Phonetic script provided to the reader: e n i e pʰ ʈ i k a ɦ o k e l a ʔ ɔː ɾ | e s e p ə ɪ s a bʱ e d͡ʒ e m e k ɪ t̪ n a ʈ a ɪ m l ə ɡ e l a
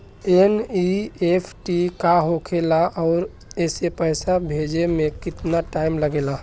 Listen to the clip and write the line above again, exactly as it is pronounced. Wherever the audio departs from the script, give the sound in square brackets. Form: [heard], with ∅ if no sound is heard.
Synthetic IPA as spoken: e n i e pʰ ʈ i k a ɦ o [kʰ] e l a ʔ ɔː ɾ | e s e p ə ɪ s a bʱ e d͡ʒ e m e k ɪ t̪ n a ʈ a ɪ m l ə ɡ e l a